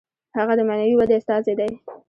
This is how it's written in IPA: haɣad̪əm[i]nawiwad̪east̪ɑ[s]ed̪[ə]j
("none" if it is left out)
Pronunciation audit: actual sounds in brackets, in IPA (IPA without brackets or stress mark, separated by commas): a, z, a